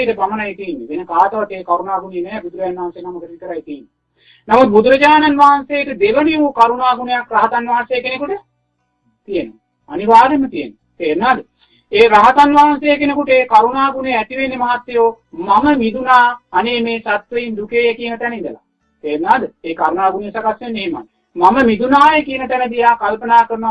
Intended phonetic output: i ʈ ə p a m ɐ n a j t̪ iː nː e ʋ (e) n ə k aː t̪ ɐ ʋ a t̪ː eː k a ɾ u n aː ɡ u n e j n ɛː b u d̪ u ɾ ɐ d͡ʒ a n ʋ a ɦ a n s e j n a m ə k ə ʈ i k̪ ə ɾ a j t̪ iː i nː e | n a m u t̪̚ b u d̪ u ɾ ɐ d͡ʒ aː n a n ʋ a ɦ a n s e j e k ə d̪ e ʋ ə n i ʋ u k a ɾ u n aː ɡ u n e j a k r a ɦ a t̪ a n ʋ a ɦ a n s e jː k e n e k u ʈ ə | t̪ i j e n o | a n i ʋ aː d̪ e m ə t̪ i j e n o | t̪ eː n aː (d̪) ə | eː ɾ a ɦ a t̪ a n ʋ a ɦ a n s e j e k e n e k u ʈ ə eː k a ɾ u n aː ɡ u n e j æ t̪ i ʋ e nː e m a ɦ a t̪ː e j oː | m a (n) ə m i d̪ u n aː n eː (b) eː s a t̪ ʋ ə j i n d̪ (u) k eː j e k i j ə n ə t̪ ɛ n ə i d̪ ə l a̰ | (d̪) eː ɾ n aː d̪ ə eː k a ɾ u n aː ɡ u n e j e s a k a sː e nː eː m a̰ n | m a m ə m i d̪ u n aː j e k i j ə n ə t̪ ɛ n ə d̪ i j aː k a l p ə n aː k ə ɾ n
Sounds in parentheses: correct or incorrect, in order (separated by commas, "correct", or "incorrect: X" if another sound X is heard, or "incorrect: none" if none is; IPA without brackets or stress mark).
correct, correct, incorrect: m, incorrect: m, correct, incorrect: t̪